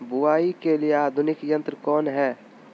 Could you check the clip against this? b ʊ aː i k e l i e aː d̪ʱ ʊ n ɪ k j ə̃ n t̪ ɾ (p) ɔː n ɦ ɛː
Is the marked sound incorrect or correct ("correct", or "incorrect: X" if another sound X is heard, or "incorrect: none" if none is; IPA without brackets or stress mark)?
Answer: incorrect: k